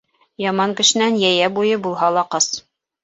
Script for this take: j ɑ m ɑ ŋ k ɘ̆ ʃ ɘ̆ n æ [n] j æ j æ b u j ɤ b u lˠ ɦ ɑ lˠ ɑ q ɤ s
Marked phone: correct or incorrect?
correct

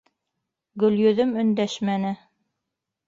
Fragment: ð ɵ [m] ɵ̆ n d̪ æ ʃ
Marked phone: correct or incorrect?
correct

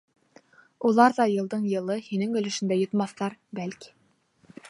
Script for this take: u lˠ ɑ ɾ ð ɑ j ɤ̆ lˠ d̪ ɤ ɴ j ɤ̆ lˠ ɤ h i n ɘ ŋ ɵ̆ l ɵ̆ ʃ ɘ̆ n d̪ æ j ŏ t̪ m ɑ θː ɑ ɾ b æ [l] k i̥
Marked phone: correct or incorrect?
correct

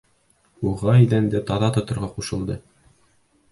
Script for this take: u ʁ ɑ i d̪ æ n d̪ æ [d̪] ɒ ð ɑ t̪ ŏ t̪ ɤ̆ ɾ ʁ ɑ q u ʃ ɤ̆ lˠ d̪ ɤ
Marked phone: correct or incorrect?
incorrect: t̪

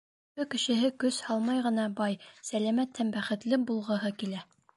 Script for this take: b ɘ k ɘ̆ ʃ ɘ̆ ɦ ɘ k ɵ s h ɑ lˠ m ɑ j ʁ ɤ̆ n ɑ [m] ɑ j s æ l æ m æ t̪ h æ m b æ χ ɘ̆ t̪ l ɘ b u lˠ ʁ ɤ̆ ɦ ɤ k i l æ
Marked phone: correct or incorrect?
incorrect: b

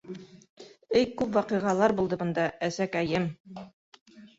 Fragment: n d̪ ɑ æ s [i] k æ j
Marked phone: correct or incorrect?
incorrect: æ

